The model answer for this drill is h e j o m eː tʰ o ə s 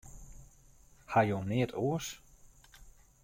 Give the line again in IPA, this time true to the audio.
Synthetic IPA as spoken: h a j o n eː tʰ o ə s